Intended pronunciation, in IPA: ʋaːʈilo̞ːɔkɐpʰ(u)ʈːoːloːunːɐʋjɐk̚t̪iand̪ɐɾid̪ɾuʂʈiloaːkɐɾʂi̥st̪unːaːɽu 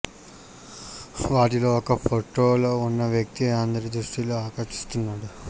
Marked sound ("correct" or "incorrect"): incorrect